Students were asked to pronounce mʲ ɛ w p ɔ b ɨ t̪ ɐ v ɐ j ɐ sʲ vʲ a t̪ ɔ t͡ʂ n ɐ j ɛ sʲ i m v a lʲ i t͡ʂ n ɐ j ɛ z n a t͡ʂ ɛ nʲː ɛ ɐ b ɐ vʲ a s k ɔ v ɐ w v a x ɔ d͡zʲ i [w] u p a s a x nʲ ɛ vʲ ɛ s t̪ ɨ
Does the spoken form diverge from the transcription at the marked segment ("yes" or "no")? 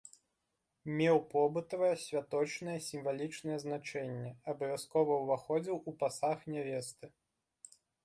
no